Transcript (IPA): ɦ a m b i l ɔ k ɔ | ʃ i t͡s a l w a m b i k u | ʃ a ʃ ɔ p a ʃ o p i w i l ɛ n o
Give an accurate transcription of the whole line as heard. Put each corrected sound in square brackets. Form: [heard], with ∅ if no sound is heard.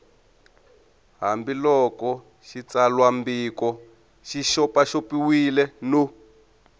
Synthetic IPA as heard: ɦ a m b i l ɔ k ɔ | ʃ i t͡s a l w a m b i k [ɔ] | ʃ [i] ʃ ɔ p a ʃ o p i w i l ɛ n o